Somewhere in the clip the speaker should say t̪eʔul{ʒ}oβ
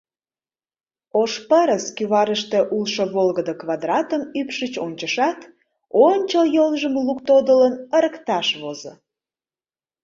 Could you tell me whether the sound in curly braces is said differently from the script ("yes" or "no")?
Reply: yes